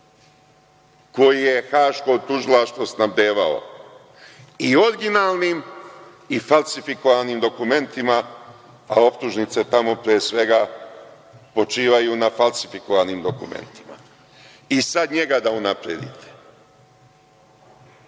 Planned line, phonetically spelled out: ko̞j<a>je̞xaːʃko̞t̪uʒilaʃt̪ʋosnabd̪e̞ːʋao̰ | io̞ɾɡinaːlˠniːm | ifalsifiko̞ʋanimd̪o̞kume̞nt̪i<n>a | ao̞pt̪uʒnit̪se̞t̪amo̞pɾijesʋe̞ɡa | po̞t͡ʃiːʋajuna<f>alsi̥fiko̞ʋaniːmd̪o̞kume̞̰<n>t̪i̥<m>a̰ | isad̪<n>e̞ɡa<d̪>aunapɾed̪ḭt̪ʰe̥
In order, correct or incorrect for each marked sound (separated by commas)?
incorrect, incorrect, correct, correct, correct, incorrect, correct